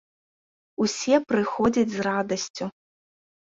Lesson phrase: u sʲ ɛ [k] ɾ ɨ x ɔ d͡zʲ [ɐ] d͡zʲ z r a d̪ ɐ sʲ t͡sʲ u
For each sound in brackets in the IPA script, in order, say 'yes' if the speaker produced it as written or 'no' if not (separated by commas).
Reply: no, yes